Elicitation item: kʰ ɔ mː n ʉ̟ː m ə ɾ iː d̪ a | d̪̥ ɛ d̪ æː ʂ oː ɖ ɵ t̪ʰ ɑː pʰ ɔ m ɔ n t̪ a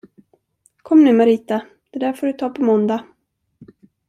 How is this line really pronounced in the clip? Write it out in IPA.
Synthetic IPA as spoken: kʰ ɔ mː n ʉ̟ː m a ɾ iː t̪ a | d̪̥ ɛ d̪ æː f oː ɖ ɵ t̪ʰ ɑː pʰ ɔ m ɔ n d̪ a